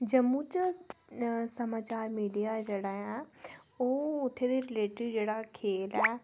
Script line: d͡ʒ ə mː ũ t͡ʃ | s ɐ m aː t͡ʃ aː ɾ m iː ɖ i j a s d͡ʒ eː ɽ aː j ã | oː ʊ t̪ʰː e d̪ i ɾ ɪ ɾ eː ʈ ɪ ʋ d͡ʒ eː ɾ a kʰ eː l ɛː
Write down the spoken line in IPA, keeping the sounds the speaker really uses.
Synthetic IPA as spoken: d͡ʒ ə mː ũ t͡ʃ | s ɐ m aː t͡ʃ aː ɾ m iː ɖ i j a d͡ʒ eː ɽ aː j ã | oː ʊ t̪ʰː e d̪ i ɾ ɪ l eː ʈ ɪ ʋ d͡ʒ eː ɽ a kʰ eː l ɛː